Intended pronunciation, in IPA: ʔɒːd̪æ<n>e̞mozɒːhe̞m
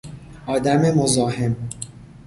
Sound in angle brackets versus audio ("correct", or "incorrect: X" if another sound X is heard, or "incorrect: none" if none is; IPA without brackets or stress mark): incorrect: m